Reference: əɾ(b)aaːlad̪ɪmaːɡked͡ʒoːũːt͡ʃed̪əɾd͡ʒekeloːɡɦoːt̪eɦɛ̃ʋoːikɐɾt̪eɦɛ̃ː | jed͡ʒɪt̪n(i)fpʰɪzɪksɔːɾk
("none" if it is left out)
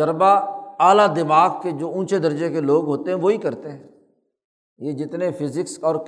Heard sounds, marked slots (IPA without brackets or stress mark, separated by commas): b, e